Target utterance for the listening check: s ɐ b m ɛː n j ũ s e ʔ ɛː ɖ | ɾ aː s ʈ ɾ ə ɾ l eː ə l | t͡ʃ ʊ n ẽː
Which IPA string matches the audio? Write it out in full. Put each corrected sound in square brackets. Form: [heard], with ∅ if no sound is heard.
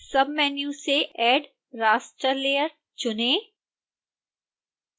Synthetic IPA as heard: s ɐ b m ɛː n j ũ s e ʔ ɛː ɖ | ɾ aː s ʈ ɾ ə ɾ l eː ə [ɾ] | t͡ʃ ʊ n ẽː